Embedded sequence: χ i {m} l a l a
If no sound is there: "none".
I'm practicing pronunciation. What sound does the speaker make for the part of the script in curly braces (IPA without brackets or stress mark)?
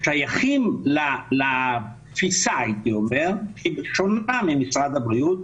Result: m